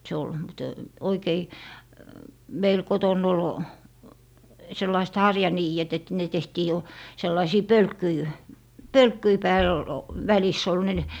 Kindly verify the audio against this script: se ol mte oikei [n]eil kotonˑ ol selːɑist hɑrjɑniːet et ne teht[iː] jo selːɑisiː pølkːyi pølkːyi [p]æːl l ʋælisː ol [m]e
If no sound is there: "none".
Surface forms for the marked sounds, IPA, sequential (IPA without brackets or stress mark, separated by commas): m, iː, p, n